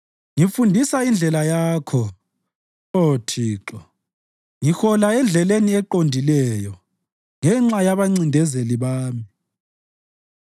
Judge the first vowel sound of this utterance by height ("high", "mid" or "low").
high